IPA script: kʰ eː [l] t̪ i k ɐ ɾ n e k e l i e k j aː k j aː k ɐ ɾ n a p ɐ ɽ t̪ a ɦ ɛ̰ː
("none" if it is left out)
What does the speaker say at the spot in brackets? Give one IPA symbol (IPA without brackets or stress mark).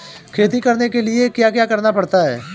none